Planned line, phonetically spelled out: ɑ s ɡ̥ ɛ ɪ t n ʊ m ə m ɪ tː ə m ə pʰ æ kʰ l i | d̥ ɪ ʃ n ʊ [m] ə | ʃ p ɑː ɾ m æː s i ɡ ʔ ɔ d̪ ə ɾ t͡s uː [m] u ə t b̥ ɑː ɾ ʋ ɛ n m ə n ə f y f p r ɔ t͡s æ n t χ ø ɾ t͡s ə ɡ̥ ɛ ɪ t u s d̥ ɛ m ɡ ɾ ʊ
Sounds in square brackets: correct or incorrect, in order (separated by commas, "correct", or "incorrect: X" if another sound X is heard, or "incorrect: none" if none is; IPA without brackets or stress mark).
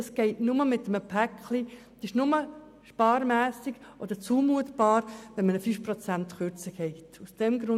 correct, correct